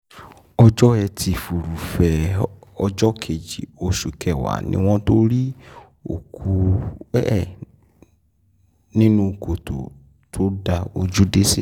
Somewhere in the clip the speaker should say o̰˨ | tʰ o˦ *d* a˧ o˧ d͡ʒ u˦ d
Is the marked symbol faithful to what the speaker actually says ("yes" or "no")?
yes